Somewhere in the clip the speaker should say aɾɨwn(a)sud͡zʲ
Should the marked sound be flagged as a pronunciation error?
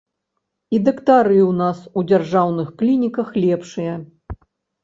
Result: no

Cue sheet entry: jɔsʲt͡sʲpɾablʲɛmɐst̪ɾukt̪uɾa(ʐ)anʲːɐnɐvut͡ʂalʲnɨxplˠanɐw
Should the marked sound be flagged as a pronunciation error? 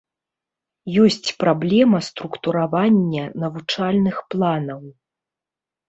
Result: yes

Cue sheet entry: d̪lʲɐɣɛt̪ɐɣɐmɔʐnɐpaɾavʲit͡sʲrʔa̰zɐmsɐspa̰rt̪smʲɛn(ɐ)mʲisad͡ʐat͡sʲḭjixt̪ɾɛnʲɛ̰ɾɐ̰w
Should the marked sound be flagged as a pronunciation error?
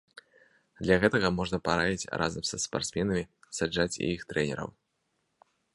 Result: no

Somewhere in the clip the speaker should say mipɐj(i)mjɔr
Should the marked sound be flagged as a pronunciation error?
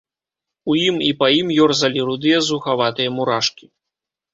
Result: no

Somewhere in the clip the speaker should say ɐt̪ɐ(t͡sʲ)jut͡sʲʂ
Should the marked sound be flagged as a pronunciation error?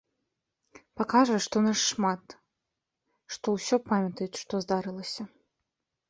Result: yes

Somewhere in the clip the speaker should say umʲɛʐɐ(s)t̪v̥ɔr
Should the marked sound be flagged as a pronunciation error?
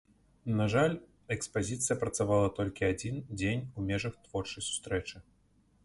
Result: yes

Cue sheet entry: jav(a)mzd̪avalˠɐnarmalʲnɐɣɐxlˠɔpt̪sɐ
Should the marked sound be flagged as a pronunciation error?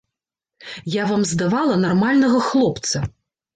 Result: no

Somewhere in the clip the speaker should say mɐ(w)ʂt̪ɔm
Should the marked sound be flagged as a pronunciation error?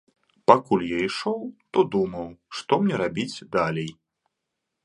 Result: no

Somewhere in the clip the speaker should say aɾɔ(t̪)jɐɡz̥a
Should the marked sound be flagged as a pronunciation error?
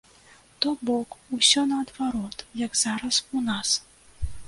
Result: no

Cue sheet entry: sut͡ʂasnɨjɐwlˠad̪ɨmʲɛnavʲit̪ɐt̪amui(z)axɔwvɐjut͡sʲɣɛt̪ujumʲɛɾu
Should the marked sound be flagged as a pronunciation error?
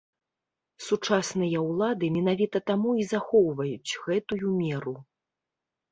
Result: no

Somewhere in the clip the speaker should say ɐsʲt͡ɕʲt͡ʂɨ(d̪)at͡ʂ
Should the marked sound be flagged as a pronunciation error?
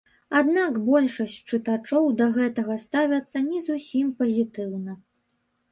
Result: yes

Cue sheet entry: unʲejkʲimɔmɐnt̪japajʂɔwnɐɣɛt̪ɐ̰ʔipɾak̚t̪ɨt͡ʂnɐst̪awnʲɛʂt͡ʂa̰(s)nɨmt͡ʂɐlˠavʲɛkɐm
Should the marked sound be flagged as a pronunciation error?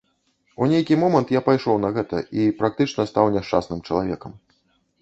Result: no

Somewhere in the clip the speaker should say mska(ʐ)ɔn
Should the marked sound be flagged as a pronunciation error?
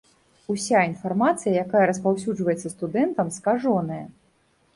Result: no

